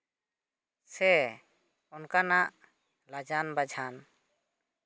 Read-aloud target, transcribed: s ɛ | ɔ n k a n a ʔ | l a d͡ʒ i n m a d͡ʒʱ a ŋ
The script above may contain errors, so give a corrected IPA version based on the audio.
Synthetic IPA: s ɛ | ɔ n k a n a ʔ | l a d͡ʒ a n b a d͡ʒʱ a n